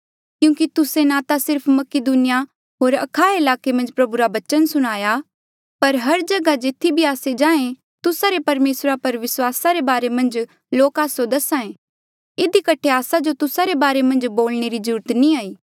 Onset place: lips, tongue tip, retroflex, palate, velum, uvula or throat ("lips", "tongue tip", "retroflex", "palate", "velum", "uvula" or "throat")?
velum